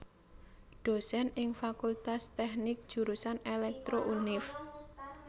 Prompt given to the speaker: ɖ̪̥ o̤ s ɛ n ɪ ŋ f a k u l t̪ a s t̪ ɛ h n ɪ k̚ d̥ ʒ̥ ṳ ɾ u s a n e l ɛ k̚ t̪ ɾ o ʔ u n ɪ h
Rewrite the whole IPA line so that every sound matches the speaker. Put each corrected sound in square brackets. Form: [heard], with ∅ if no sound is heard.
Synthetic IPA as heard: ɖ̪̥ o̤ s ɛ n ɪ ŋ f a k u l t̪ a s t̪ ɛ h n ɪ k̚ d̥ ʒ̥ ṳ ɾ u s a n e l ɛ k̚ t̪ ɾ o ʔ u n ɪ [f]

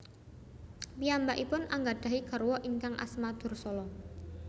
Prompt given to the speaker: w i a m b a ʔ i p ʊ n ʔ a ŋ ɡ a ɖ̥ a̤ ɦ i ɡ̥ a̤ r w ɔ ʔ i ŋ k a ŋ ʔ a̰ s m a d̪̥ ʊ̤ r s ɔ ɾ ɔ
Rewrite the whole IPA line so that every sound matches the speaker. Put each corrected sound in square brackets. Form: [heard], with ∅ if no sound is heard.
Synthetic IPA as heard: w i a m b a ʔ i p ʊ n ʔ a ŋ ɡ a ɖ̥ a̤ ɦ i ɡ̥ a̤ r w ɔ ʔ i ŋ k a ŋ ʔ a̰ s m a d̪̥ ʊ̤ r s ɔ [l] ɔ

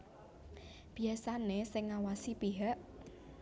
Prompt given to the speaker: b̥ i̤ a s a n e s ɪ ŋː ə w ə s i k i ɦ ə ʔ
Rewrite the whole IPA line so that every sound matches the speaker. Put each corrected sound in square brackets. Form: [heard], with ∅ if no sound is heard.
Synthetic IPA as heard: b̥ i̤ a s a n e s ɪ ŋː [a] w [a] s i [p] i ɦ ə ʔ

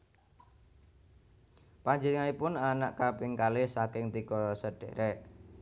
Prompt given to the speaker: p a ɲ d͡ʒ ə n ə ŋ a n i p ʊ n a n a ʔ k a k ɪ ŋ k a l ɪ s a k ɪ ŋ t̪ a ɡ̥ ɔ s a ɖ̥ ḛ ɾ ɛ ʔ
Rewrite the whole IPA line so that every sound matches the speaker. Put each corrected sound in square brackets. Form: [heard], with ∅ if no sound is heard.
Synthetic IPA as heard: p a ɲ d͡ʒ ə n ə ŋ a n i p ʊ n a n a ʔ k a [p] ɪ ŋ k a l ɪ s a k ɪ ŋ t̪ [i] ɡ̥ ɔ s [ə] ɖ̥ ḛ ɾ ɛ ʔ

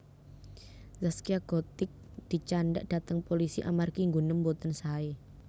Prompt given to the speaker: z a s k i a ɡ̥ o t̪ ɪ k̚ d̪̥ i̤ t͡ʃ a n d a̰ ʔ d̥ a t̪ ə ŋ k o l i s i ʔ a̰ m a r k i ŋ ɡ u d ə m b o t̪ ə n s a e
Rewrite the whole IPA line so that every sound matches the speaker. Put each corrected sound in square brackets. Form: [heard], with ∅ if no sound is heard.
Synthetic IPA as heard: z a s k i a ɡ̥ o t̪ ɪ k̚ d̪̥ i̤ t͡ʃ a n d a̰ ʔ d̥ a t̪ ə ŋ [p] o l i s i ʔ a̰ m a r k i ŋ ɡ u [n] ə m b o t̪ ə n s a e

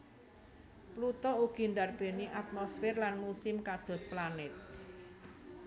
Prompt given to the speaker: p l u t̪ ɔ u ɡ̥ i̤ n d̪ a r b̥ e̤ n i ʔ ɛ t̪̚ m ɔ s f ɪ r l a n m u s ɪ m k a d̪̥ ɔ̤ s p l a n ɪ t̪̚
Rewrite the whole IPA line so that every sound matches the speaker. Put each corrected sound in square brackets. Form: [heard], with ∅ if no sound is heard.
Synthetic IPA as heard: p l u t̪ ɔ u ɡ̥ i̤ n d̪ a r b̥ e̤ n i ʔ [a] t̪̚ m ɔ s f ɪ r l a n m u s ɪ m k a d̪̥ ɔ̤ s p l a n ɪ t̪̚

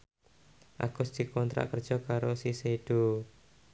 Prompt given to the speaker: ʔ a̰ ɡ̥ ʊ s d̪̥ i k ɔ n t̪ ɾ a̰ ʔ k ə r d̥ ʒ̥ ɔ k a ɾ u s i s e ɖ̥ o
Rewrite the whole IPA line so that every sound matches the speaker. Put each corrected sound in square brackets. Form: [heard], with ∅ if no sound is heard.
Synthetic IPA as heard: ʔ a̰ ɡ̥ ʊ s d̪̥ i k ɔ n t̪ ɾ a̰ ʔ k ə r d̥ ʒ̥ ɔ k a ɾ [o] s i s e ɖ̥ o

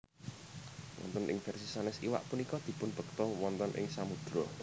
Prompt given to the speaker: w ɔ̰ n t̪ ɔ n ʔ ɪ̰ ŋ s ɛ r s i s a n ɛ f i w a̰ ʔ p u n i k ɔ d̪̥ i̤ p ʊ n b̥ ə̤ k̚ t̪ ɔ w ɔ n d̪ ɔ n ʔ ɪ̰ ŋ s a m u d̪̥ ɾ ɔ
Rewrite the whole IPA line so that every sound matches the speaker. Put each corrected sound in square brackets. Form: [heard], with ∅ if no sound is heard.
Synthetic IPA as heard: w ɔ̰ n t̪ ɔ n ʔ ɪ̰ ŋ [f] ɛ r s i s a n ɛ [s] i w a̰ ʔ p u n i k ɔ d̪̥ i̤ p ʊ n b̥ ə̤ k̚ t̪ ɔ w ɔ n [t̪] ɔ n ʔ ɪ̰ ŋ s a m u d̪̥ ɾ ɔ

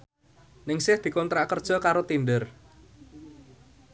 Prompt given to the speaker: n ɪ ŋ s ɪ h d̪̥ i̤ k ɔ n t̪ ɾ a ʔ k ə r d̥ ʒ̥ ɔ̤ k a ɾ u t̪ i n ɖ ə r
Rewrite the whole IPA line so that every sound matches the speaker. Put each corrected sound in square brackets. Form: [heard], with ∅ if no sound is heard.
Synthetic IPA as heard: n ɪ ŋ s ɪ h d̪̥ i̤ k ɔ n t̪ ɾ a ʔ k ə r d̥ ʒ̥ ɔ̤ k a ɾ [o] t̪ i n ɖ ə r

